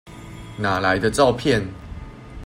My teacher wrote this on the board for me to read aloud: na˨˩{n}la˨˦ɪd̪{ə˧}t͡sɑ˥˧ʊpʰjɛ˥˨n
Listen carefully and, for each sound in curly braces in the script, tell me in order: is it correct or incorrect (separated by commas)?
incorrect, correct